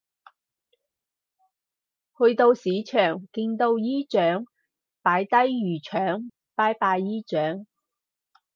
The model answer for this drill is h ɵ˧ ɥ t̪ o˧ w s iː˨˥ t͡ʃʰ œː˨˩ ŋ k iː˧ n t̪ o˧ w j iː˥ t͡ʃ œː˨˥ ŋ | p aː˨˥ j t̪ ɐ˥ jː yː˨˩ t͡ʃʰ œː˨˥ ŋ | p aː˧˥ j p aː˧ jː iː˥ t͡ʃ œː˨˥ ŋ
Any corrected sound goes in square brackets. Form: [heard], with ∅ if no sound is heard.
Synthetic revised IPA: h ɵ˧ ɥ t̪ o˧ w s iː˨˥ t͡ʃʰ œː˨˩ ŋ k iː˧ n t̪ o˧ w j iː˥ t͡ʃ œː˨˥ ŋ | p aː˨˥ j t̪ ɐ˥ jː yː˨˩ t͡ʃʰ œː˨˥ ŋ | p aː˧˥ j p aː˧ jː iː˥ t͡ʃ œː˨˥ ŋ